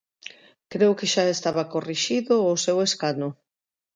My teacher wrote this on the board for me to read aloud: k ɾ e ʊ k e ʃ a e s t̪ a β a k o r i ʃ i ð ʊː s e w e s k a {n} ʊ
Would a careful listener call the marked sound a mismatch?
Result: no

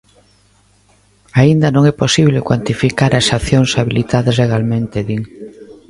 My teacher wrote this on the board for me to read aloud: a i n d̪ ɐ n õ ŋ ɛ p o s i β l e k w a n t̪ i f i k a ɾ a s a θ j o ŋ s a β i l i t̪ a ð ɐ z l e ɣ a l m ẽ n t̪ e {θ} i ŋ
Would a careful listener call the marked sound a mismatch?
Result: yes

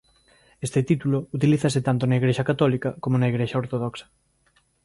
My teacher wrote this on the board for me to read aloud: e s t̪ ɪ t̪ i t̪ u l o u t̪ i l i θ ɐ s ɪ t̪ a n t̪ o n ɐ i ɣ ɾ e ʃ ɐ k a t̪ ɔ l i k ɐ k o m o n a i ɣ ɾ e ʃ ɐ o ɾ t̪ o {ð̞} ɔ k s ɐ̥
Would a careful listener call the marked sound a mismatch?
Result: no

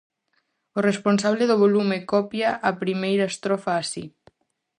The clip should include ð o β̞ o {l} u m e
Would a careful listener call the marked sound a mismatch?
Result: no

